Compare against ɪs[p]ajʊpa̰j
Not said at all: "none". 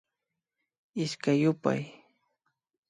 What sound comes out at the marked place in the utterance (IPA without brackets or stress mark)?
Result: k